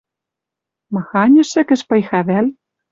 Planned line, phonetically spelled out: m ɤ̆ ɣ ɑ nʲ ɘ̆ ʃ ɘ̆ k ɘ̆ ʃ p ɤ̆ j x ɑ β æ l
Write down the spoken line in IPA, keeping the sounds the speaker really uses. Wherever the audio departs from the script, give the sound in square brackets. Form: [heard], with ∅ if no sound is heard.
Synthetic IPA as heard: m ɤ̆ [x] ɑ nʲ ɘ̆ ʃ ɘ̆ k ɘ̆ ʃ p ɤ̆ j x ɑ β æ l